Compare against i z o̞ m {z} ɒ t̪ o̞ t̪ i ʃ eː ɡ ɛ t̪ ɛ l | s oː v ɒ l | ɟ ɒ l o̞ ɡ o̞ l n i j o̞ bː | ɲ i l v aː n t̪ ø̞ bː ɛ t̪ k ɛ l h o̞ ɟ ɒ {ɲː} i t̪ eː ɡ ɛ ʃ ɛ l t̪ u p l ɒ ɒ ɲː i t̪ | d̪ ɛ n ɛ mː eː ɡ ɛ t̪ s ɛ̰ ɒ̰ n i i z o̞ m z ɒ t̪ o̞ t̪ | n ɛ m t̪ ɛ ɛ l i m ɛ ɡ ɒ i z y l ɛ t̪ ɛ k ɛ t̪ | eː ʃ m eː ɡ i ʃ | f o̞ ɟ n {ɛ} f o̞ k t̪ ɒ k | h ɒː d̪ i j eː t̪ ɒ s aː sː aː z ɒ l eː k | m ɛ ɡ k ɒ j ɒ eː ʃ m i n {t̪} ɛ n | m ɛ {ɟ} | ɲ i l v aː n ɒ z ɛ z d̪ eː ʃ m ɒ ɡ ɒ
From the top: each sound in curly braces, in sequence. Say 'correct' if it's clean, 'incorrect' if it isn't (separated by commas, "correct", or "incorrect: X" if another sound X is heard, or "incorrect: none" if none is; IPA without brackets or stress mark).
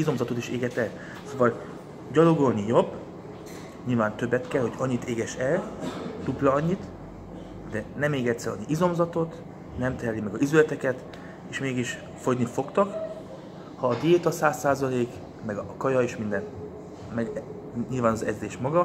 correct, correct, incorrect: i, incorrect: d̪, incorrect: ɡ